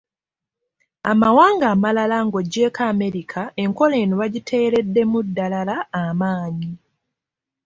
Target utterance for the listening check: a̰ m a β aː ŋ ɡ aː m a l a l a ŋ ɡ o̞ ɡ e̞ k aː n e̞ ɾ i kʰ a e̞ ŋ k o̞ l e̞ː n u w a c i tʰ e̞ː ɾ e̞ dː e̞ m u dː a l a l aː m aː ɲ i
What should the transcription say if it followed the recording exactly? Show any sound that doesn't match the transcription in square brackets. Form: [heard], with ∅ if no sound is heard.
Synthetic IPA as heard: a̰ m a [w] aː ŋ ɡ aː m a l a l a ŋ ɡ o̞ [ɟ] e̞ k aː [m] e̞ ɾ i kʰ a e̞ ŋ k o̞ l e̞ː n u [β] a [ɟ] i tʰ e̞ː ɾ e̞ dː e̞ m u dː a l a l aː m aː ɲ i